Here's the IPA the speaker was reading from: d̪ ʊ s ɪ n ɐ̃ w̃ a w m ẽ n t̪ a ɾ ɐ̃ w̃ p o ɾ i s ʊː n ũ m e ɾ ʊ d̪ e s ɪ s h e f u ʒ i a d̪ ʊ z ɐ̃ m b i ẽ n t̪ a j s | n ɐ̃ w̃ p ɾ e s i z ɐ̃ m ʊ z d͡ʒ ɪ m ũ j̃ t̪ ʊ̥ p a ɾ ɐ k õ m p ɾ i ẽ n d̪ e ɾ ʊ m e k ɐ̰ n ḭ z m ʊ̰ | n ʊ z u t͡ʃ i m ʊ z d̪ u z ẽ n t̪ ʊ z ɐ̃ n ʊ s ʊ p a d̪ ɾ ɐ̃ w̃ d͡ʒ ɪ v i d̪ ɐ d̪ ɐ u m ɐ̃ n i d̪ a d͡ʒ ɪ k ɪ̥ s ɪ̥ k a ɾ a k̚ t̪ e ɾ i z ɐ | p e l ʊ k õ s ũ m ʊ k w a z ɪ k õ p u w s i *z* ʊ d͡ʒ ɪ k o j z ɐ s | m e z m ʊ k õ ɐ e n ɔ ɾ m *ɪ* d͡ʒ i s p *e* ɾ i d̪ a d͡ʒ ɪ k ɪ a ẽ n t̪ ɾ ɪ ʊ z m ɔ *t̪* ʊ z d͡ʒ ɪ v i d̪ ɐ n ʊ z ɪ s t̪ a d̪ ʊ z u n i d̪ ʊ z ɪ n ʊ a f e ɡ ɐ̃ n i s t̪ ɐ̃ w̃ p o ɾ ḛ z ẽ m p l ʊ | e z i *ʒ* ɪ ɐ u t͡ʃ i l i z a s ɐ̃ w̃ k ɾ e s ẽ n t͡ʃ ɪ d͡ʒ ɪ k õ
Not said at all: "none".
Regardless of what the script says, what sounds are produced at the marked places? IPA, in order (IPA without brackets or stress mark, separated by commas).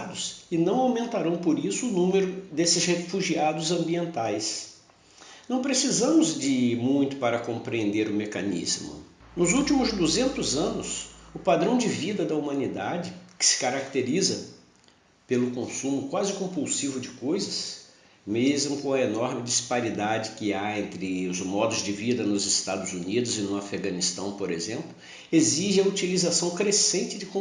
v, ɪ, a, d̪, ʒ